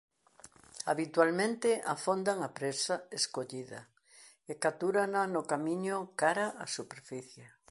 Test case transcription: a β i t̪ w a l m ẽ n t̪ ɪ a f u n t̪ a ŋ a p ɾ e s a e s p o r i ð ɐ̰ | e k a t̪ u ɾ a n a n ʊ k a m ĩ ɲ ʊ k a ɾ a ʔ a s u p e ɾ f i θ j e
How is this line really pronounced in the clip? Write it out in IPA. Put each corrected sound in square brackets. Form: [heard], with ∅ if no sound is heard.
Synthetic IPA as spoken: a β i t̪ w a l m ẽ n t̪ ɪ a f [o] n [d̪] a ŋ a p ɾ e s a e s [k] o [ʎ] i ð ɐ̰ | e k a t̪ u ɾ a n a n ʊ k a m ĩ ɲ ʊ k a ɾ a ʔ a s u p e ɾ f i θ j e